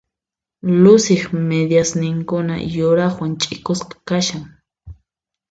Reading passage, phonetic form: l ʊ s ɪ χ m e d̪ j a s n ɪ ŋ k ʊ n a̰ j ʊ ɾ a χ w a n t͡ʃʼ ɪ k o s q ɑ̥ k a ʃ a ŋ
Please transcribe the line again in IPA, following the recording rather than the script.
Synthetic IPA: l ʊ s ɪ χ m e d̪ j a s n ɪ ŋ k ʊ n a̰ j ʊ ɾ a χ w a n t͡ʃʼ ɪ k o s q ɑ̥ k a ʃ a ŋ